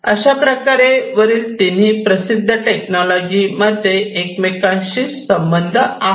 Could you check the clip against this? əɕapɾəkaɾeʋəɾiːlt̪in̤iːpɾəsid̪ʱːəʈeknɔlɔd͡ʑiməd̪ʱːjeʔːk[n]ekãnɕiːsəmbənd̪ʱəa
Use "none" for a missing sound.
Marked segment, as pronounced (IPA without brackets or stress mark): m